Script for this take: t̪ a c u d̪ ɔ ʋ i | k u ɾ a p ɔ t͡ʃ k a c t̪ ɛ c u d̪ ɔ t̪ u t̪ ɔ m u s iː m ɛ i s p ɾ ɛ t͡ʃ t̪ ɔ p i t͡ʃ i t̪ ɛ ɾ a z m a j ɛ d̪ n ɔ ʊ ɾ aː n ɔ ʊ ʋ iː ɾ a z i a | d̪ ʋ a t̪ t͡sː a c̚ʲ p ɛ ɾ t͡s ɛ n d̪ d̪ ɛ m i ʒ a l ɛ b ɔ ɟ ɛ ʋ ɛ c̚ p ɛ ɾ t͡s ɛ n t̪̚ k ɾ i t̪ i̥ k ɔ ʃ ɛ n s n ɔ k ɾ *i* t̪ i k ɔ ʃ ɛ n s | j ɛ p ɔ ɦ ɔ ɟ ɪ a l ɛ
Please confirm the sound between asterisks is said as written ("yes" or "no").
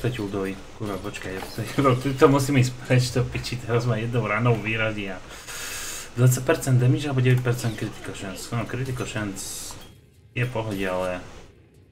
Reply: yes